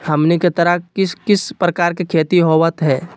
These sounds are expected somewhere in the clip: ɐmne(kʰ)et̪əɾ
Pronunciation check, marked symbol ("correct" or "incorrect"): incorrect